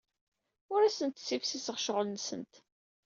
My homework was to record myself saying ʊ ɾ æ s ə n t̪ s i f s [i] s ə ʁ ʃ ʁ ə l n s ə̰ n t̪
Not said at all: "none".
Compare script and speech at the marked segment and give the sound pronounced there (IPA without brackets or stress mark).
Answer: i